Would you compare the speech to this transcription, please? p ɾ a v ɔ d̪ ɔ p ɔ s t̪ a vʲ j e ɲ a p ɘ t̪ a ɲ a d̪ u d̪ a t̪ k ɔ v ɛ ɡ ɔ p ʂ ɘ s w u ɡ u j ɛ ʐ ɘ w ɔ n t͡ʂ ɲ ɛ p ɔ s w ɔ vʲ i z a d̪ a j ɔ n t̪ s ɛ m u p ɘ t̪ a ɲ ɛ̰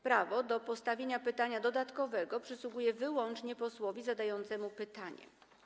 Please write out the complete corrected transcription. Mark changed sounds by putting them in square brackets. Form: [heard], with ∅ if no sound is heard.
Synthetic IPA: p ɾ a v ɔ d̪ ɔ p ɔ s t̪ a vʲ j e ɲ a p ɘ t̪ a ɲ a d̪ [ɔ] d̪ a t̪ k ɔ v ɛ ɡ ɔ p ʂ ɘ s w u ɡ u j ɛ [v] ɘ w ɔ n t͡ʂ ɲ ɛ p ɔ s w ɔ vʲ i z a d̪ a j ɔ n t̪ s ɛ m u p ɘ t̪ a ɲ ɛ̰